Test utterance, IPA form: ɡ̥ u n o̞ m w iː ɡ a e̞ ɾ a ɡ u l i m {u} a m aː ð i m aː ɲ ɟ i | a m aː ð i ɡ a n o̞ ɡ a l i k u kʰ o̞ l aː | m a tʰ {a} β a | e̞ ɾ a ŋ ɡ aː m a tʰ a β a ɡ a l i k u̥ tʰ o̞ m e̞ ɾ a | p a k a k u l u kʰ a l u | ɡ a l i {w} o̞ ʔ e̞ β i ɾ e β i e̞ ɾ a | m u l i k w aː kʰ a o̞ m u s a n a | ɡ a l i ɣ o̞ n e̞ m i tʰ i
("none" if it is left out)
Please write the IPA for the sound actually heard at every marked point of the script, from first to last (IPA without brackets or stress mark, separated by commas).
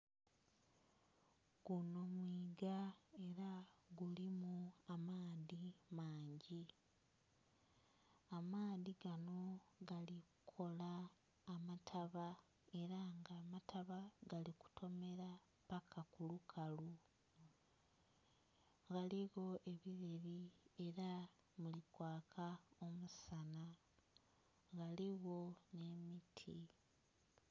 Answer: u, a, ɣ